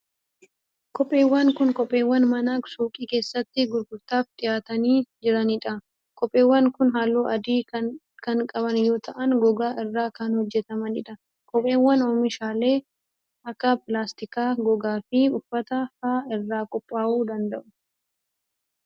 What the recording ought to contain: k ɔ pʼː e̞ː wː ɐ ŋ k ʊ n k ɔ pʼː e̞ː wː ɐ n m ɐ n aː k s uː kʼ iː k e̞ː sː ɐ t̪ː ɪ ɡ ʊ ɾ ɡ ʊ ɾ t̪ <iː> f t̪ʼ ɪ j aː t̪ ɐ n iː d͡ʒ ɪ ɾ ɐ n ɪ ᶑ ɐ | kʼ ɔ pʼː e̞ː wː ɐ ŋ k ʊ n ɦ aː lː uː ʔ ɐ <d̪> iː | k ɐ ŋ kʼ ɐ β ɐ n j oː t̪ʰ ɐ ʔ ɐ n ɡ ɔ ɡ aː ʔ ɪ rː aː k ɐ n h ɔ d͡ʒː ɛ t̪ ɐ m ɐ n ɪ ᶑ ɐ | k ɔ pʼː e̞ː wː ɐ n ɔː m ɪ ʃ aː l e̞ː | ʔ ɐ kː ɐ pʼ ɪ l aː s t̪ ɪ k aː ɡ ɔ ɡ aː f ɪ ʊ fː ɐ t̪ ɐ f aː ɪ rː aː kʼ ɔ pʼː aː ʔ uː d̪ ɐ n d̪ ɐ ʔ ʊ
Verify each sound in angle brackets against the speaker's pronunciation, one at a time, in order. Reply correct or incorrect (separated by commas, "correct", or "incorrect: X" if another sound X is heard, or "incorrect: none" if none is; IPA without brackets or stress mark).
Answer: incorrect: aː, correct